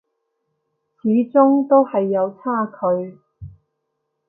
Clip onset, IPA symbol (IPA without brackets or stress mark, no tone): t͡sʰ